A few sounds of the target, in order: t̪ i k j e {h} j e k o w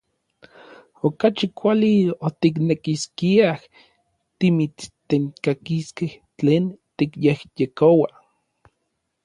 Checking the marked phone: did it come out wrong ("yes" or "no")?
no